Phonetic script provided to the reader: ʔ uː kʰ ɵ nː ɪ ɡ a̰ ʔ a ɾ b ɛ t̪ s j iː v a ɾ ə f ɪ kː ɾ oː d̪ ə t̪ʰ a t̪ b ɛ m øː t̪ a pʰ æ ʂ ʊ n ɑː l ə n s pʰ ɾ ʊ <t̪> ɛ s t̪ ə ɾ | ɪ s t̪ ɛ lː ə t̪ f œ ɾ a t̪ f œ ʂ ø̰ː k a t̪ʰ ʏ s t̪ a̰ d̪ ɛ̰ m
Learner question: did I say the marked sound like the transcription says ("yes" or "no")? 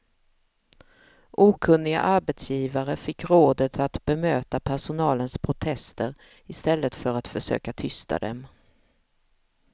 no